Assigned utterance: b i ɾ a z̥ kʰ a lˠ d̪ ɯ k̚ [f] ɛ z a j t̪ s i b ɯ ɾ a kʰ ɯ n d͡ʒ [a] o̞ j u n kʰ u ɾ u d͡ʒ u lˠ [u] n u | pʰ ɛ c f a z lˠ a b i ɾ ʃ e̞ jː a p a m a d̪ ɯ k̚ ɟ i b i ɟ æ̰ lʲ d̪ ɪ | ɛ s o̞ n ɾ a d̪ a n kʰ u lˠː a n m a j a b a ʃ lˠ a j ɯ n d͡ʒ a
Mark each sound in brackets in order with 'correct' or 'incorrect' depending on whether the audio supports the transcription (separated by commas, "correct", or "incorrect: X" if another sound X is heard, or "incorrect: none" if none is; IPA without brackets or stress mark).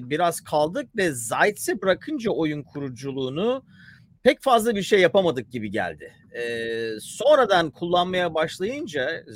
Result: incorrect: v, correct, incorrect: uː